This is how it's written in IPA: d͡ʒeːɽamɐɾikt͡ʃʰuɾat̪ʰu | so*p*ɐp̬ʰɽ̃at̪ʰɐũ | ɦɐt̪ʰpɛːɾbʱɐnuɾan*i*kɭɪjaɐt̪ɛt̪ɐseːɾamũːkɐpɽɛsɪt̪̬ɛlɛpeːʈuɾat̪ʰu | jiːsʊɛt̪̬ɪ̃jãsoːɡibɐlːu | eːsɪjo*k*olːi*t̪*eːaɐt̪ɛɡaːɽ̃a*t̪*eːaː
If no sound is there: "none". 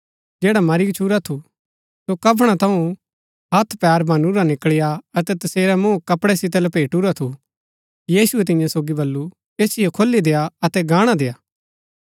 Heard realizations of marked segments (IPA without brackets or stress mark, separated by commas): k, ɪ, kʰ, d̪, d̪